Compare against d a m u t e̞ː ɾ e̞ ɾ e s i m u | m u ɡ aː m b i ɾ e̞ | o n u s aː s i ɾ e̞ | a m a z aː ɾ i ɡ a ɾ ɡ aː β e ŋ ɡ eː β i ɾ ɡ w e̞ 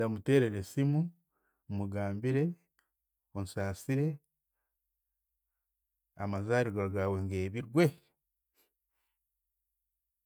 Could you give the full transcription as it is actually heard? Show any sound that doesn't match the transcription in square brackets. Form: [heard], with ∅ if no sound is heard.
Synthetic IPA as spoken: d a m u t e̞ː ɾ e̞ ɾ e s i m u | m u ɡ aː m b i ɾ e̞ | o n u s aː s i ɾ e̞ | a m a z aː ɾ i ɡ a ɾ ɡ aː [w] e ŋ ɡ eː β i ɾ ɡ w e̞